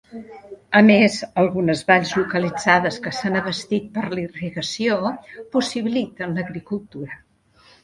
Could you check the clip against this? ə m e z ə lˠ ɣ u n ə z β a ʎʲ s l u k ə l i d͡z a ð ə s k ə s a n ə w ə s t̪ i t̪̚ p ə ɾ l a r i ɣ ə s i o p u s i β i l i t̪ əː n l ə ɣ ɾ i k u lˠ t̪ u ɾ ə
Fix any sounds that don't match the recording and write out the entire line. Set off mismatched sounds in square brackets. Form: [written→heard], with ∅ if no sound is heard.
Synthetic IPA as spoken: ə m e z ə lˠ ɣ u n ə z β a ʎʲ [s→z] l u k ə l i d͡z a ð ə s k ə s a n ə [w→β] ə s t̪ i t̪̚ p ə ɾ l [a→i] r i ɣ ə s i o p u s i β i l i t̪ [əː→ə] n l ə ɣ ɾ i k u lˠ t̪ u ɾ ə